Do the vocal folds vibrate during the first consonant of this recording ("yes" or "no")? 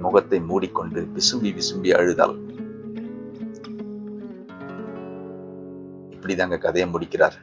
yes